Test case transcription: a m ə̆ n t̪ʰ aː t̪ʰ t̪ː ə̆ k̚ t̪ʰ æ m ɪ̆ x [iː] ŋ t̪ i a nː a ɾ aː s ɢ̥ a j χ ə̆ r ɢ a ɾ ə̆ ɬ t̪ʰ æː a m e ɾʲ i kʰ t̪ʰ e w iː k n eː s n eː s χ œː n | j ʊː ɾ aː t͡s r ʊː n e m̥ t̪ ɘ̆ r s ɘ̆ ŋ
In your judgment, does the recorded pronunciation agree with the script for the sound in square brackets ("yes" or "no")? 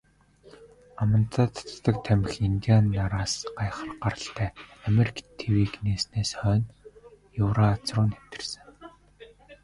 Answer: no